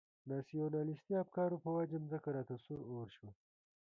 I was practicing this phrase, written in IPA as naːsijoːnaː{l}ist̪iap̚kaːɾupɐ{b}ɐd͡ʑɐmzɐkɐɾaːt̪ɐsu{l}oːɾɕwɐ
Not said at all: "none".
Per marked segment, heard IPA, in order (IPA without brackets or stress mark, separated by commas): l, w, ɾ